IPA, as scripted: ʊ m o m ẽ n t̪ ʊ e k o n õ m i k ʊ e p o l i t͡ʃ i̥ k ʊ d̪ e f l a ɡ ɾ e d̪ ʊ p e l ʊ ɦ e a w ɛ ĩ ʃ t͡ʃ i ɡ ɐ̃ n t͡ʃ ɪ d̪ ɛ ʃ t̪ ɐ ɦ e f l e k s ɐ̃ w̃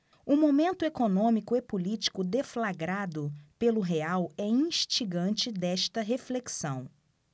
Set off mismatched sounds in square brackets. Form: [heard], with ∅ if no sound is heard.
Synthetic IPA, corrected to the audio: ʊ m o m ẽ n t̪ ʊ e k o n õ m i k ʊ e p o l i t͡ʃ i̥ k ʊ d̪ e f l a ɡ ɾ [a] d̪ ʊ p e l ʊ ɦ e a w ɛ ĩ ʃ t͡ʃ i ɡ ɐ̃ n t͡ʃ ɪ d̪ ɛ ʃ t̪ ɐ ɦ e f l e k s ɐ̃ w̃